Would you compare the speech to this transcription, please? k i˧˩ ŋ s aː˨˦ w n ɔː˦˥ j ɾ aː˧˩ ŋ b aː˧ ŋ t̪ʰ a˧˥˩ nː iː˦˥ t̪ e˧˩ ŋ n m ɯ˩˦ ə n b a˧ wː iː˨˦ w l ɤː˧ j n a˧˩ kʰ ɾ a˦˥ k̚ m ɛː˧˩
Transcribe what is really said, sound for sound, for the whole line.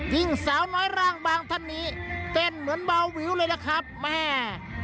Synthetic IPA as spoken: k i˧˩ ŋ s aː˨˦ w n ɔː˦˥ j ɾ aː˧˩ ŋ b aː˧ ŋ t̪ʰ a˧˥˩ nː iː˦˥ t̪ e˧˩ n m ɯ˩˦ ə n b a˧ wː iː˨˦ w l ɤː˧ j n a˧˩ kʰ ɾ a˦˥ p̚ m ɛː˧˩

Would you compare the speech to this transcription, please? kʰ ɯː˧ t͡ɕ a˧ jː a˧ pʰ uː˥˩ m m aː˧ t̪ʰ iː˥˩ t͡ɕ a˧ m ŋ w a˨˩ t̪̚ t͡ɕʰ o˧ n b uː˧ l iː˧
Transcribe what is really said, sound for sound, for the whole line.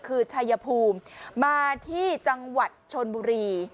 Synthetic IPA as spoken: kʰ ɯː˧ t͡ɕʰ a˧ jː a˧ pʰ uː˧ m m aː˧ t̪ʰ iː˥˩ t͡ɕ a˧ ŋ w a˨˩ t̪̚ t͡ɕʰ o˧ n b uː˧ ɾ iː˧

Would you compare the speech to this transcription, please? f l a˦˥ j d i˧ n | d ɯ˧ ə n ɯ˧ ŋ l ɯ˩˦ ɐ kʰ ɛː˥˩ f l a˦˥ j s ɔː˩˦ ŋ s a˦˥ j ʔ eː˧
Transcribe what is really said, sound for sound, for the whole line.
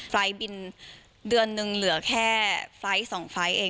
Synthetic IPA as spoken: f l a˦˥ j b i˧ n | d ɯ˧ ə nː ɯ˧ ŋ l ɯ˩˦ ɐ kʰ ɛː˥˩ f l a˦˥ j s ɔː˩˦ ŋ f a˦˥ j ʔ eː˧

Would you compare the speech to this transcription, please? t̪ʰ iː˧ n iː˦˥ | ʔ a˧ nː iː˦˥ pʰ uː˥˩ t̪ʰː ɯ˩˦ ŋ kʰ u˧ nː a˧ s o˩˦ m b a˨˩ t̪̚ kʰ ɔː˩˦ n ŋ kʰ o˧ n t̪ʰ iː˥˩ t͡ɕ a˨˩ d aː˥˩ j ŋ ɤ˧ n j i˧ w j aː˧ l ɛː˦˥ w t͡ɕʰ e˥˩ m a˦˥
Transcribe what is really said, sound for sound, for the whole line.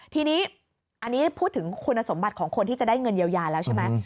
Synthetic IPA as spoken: t̪ʰ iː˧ n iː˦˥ | ʔ a˧ nː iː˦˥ pʰ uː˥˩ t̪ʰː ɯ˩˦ ŋ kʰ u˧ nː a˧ s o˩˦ m b a˨˩ t̪̚ kʰ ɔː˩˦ ŋ kʰ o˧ n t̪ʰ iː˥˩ t͡ɕ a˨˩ d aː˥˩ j ŋ ɤ˧ n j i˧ w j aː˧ l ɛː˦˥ w t͡ɕʰ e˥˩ m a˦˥

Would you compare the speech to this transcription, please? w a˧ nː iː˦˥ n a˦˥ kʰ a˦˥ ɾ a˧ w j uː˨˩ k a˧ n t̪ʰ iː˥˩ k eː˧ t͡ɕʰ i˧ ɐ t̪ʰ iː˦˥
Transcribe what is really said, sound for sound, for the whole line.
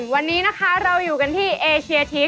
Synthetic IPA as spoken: w a˧ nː iː˦˥ n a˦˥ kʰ a˦˥ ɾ a˧ w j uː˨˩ k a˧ n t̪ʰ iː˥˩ ʔ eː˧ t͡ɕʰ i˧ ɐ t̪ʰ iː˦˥

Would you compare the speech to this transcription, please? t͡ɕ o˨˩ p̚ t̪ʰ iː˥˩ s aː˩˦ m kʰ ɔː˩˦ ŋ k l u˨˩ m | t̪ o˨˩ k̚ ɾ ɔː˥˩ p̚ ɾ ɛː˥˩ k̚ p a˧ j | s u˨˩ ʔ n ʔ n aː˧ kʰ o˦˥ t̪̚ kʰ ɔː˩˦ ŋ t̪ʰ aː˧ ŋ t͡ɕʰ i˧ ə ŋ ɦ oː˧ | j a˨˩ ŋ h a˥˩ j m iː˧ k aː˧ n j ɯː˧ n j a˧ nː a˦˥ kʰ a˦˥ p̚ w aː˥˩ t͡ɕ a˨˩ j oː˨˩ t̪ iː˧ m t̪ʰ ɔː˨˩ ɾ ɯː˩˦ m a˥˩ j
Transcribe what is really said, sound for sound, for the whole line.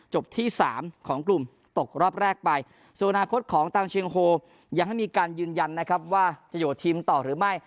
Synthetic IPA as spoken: t͡ɕ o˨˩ p̚ t̪ʰ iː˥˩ s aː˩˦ m kʰ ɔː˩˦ ŋ k l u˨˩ m | t̪ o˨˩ k̚ ɾ ɔː˥˩ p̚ ɾ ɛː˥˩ k̚ p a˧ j | s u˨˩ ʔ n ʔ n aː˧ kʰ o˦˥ t̪̚ kʰ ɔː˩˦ ŋ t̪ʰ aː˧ ŋ t͡ɕʰ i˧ ə ŋ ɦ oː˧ | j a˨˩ ŋ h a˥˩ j m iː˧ k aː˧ n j ɯː˧ n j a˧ nː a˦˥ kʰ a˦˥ p̚ w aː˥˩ t͡ɕ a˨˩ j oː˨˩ t̪ʰ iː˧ m t̪ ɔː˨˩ ɾ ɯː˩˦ m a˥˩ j

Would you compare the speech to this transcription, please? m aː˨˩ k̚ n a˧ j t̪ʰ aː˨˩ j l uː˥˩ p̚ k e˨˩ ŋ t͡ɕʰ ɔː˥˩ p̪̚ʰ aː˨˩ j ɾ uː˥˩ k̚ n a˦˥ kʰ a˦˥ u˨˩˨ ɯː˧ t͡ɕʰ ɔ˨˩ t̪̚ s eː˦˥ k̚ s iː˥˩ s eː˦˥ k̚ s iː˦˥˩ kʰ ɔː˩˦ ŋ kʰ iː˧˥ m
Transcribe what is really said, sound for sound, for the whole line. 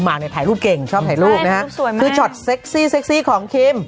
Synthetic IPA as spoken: m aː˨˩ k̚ n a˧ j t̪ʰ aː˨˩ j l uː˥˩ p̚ k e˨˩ ŋ t͡ɕʰ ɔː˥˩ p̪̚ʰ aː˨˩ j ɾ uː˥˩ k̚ n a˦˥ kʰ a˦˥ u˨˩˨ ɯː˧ t͡ɕʰ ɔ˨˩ t̪̚ s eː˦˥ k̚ s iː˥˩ s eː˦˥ k̚ s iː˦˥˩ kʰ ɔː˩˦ ŋ kʰ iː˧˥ m

